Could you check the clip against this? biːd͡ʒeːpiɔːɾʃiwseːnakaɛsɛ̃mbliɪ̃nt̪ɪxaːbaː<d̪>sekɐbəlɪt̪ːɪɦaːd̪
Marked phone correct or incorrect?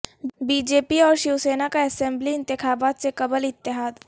incorrect